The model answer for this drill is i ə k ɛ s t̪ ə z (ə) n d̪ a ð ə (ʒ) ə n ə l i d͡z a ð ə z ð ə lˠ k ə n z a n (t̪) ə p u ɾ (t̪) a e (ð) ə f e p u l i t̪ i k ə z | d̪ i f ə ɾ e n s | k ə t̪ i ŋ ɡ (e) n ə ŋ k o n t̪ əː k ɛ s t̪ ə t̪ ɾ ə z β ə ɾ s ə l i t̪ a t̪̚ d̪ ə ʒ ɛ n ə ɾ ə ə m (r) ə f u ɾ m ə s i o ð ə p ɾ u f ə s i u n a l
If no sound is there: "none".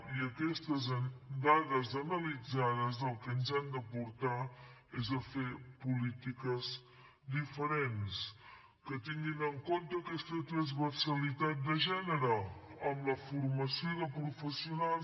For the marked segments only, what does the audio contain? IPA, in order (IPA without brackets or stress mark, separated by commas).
ə, z, d̪, t̪, z, i, l